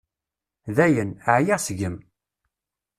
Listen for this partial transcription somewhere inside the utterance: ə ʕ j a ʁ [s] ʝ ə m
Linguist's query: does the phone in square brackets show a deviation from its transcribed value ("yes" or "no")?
no